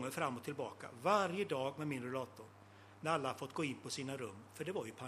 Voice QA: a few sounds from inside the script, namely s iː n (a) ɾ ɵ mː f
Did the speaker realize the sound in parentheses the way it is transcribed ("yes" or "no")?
yes